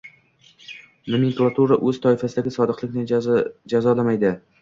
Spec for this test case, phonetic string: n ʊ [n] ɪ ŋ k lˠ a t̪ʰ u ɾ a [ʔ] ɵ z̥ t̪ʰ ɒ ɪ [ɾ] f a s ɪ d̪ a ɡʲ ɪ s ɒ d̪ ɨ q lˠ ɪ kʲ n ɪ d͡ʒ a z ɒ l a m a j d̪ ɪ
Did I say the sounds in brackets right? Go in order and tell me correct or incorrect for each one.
incorrect, correct, incorrect

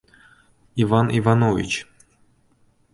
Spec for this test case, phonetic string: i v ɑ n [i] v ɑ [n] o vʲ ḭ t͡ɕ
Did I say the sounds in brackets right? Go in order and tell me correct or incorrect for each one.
correct, correct

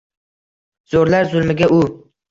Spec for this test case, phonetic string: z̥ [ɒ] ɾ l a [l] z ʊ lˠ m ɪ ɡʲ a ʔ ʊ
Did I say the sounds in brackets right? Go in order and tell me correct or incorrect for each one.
incorrect, incorrect

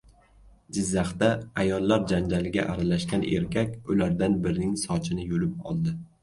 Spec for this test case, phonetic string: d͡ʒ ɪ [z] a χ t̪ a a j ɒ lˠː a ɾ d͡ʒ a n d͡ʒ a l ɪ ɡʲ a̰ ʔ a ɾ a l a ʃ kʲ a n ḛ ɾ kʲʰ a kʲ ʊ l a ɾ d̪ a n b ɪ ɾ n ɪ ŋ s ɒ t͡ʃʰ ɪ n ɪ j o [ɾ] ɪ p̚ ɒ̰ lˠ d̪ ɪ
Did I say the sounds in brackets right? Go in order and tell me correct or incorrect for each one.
incorrect, incorrect

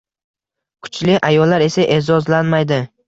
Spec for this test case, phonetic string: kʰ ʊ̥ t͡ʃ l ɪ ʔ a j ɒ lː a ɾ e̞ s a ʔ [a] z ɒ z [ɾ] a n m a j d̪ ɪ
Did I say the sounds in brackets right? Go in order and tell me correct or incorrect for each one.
incorrect, incorrect

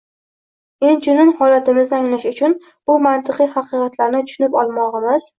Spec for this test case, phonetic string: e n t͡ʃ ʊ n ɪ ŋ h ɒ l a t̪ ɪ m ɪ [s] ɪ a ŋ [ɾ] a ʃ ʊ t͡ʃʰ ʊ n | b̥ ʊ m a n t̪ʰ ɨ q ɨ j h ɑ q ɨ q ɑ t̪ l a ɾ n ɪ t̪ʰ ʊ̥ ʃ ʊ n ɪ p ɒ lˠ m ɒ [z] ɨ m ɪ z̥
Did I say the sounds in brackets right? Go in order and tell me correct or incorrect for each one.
incorrect, incorrect, incorrect

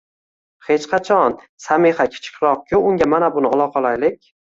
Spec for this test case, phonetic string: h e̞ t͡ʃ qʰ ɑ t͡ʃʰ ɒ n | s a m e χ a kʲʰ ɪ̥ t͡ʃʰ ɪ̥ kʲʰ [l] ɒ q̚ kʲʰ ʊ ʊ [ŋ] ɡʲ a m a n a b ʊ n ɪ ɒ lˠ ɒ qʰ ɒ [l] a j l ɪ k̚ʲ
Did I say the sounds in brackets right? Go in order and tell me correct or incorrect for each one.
incorrect, correct, correct

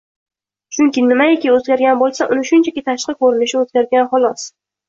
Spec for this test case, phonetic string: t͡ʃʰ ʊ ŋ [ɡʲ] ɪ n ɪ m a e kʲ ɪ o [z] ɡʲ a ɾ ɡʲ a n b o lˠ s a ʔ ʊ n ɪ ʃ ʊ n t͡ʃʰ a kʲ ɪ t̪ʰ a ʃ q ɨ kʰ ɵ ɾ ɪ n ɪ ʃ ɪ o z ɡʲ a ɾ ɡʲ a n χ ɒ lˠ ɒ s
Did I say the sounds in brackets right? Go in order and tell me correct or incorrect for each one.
incorrect, correct

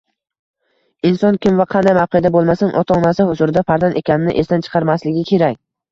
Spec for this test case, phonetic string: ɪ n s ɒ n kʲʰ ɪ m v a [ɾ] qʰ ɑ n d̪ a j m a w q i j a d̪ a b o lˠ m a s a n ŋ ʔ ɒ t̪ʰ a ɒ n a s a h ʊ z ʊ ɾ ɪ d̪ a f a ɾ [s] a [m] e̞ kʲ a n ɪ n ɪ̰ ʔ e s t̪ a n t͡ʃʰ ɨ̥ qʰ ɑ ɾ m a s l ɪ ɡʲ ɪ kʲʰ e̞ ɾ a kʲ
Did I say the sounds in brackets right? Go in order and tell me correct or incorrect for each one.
incorrect, incorrect, incorrect

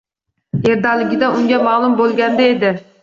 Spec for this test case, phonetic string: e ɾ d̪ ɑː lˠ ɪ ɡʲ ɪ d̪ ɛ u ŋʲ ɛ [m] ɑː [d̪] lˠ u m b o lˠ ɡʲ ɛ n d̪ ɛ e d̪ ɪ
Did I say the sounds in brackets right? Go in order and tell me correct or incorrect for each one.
correct, incorrect

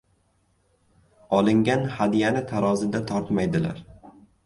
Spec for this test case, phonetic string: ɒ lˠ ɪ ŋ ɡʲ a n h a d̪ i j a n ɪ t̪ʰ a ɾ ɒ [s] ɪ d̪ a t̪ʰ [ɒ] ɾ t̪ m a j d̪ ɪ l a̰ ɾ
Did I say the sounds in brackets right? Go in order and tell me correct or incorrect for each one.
incorrect, correct

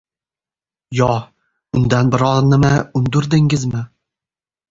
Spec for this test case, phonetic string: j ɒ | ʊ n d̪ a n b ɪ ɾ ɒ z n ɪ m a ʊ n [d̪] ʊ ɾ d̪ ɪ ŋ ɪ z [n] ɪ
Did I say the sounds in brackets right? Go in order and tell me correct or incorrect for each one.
correct, incorrect

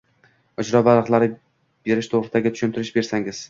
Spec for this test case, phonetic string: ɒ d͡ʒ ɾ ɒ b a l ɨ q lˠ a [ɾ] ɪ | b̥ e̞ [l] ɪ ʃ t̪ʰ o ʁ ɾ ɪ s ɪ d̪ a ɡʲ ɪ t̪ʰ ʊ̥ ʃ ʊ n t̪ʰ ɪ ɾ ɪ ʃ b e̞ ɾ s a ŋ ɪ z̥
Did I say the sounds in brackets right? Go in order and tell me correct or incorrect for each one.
correct, incorrect

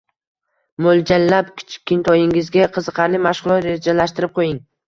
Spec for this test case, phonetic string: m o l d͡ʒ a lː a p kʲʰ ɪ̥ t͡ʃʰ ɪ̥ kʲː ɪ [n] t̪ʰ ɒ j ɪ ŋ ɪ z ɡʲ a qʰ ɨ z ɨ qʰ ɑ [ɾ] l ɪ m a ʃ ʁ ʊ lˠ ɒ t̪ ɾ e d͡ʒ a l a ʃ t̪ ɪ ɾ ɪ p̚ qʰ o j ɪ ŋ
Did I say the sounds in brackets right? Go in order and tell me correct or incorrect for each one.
correct, correct

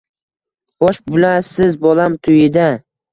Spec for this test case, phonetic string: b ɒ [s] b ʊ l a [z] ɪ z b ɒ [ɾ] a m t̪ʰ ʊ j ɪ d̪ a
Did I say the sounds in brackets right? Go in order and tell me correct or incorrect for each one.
incorrect, incorrect, incorrect

